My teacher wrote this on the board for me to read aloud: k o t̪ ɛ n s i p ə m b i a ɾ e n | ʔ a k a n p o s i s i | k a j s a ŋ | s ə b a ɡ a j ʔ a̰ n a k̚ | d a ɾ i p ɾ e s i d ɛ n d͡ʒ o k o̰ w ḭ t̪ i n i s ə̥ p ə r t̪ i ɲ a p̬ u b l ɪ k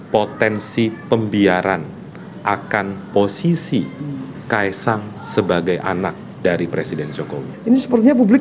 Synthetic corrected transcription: p o t̪ ɛ n s i p ə m b i a ɾ a n | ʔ a k a n p o s i s i | k a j s a ŋ | s ə b a ɡ a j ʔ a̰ n a k̚ | d a ɾ i p ɾ e s i d ɛ n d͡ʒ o k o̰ w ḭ i n i s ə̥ p ə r t̪ i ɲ a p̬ u b l ɪ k